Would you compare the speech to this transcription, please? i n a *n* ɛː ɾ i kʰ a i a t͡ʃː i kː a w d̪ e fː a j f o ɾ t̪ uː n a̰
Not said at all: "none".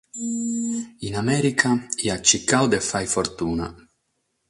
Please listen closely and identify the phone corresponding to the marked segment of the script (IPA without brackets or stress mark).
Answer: m